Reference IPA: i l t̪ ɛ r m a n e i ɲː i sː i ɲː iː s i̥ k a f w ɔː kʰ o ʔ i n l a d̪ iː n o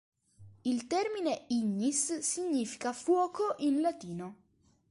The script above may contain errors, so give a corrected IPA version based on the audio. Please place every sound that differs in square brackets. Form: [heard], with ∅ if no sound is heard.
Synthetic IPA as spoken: i l t̪ ɛ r m [i] n e i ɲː i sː i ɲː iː [f] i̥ k a f w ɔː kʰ o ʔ i n l a [t̪] iː n o